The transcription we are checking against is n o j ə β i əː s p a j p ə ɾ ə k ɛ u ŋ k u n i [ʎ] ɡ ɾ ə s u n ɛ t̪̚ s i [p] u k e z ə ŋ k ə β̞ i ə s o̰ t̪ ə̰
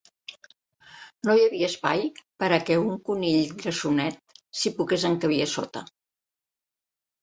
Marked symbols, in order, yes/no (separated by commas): yes, yes